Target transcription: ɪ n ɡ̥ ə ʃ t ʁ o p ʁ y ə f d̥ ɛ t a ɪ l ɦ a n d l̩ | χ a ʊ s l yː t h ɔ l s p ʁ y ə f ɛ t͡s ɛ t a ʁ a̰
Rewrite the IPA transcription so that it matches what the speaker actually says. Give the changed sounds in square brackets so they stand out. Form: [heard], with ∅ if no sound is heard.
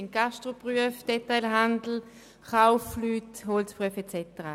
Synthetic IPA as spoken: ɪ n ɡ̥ [a] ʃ t ʁ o p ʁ y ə f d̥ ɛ t a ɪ l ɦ a n d l̩ | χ a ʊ [f] l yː t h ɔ l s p ʁ y ə f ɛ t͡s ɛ t [ə] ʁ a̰